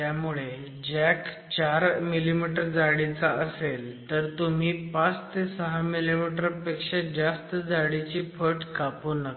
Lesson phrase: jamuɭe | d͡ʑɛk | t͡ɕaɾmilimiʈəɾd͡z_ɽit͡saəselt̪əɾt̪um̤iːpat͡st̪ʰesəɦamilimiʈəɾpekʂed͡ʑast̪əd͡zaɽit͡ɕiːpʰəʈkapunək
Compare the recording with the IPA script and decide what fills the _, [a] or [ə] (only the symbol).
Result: a